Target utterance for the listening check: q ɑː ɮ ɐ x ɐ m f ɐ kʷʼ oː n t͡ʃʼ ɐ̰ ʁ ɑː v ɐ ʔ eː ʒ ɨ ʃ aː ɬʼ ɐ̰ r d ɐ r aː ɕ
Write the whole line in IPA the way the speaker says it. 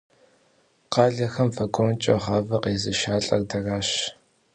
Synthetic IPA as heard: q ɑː ɮ ɐ x ɐ m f ɐ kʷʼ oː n t͡ʃʼ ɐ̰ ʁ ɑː v ɐ q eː z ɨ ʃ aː ɬʼ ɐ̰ r d ɐ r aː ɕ